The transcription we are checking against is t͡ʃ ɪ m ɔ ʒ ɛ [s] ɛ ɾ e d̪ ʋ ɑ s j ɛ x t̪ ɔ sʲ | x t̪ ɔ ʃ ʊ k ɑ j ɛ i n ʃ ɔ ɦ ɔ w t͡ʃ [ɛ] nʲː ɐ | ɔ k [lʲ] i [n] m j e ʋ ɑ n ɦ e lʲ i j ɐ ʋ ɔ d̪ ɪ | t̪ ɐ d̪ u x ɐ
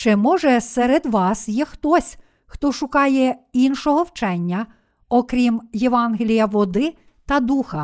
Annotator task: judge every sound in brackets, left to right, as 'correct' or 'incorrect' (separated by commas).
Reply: correct, correct, incorrect, incorrect